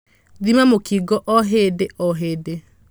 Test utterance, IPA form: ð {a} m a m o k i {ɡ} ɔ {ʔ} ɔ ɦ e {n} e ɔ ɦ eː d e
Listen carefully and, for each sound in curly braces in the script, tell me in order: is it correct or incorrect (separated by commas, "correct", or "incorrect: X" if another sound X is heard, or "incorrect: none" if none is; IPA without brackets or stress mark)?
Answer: incorrect: i, correct, correct, incorrect: d